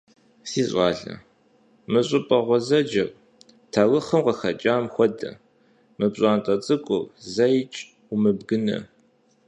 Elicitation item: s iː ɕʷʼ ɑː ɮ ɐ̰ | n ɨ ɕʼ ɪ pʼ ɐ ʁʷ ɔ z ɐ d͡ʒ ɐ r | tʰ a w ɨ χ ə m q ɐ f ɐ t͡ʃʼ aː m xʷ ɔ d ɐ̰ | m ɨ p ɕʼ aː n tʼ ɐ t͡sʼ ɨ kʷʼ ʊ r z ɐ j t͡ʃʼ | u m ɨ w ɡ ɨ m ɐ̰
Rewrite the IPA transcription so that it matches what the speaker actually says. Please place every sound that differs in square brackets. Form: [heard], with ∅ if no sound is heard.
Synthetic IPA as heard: s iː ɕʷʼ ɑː ɮ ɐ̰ | [m] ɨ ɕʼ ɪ pʼ ɐ ʁʷ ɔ z ɐ d͡ʒ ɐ r | tʰ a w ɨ χ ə m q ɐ [x] ɐ t͡ʃʼ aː m xʷ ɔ d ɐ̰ | m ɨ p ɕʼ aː n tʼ ɐ t͡sʼ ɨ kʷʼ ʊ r z ɐ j t͡ʃʼ | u m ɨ [b] ɡ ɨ [n] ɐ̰